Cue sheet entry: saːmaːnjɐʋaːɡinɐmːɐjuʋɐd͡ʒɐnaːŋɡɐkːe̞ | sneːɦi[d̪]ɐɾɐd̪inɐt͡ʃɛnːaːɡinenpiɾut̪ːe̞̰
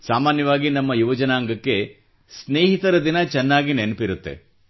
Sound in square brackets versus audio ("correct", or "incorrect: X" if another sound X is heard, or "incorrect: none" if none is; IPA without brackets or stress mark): incorrect: t̪